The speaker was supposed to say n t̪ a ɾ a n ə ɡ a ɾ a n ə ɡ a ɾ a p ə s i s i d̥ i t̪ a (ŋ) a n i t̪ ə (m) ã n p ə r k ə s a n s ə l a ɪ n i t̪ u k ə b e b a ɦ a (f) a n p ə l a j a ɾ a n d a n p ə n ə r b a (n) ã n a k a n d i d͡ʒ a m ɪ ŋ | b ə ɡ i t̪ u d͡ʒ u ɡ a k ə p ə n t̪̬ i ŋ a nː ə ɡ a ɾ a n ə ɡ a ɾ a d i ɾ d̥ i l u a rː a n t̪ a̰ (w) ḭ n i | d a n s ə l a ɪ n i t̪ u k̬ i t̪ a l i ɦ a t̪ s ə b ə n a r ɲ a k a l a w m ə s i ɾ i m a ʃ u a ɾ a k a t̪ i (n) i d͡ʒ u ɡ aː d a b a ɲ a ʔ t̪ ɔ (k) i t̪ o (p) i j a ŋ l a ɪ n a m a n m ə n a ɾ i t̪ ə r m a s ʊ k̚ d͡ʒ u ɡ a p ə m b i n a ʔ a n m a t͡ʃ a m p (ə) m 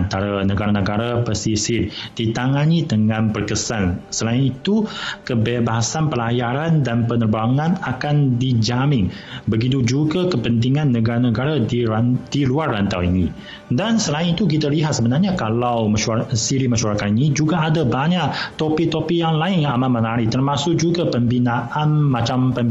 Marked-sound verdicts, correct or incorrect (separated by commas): correct, incorrect, incorrect, incorrect, correct, correct, incorrect, correct, correct